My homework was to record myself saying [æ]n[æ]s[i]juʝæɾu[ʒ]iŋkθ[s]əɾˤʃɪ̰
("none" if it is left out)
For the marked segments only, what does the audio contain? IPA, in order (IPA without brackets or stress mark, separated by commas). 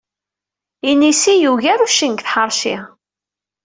i, i, i, ʃ, ħ